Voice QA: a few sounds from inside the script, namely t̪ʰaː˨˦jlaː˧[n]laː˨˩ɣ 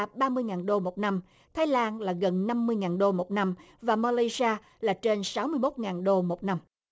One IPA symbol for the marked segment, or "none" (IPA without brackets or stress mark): n